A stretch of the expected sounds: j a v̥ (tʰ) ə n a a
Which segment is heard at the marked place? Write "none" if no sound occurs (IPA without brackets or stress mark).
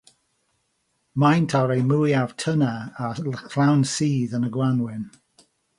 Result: tʰ